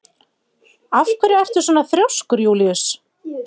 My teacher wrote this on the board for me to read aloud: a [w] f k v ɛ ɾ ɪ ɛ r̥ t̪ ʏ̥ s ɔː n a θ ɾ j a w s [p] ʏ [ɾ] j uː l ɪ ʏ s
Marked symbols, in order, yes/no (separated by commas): no, no, yes